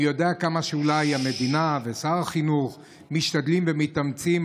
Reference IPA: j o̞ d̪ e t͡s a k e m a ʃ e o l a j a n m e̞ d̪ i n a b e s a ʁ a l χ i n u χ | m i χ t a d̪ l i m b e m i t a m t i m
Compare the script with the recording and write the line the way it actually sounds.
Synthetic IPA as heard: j o̞ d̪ e a k a m a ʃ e u l a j a m e̞ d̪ i n a v e s a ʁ a χ i n u χ | m i ʃ t a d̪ l i m v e m i t a m t͡s i m

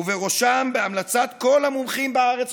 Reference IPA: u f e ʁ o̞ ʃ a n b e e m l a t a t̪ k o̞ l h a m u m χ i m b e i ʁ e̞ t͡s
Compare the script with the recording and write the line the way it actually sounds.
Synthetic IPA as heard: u v e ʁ o̞ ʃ a m b e a m l a t͡s a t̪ k o̞ l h a m u m χ i m b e a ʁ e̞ t͡s

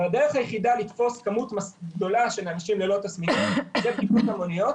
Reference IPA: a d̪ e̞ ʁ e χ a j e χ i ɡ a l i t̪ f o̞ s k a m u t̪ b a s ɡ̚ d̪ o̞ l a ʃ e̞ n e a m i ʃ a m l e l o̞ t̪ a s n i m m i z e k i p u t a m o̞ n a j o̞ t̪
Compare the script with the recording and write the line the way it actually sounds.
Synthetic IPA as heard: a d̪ e̞ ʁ e χ a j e χ i d a l i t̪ f o̞ s k a m u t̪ m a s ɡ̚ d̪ o̞ l a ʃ e̞ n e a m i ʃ i m l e l o̞ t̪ a s m i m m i z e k i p u t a m o̞ n i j o̞ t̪

